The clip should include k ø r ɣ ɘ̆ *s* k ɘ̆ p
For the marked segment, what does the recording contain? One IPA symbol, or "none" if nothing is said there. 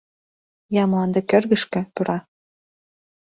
ʃ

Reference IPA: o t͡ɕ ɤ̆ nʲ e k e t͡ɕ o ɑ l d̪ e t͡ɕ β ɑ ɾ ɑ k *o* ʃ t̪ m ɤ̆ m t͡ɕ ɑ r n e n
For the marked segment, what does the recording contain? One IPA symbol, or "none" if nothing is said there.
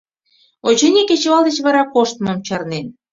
o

